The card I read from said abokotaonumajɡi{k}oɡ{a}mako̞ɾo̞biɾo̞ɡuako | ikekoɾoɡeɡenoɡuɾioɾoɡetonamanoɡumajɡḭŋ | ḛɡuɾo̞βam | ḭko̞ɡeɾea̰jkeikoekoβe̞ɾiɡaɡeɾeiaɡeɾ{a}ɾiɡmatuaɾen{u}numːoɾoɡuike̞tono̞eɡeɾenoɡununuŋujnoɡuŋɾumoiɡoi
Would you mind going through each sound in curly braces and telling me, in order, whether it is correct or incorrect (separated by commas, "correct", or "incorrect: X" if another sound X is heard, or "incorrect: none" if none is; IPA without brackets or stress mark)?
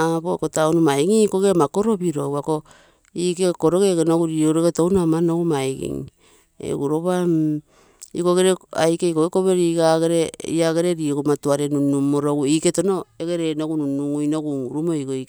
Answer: correct, incorrect: e, incorrect: e, correct